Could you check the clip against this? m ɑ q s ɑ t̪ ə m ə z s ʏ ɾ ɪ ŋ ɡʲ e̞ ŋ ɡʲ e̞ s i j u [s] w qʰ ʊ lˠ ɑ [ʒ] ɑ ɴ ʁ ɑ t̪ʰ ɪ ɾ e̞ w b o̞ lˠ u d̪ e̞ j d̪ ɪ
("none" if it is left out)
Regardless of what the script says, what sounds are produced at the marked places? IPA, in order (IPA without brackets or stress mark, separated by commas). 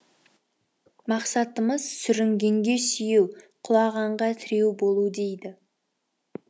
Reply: none, ʁ